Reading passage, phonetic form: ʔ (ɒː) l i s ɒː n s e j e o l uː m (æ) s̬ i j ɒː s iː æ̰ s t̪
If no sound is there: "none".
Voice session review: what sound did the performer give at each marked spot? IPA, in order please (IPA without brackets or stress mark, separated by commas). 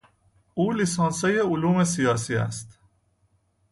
uː, e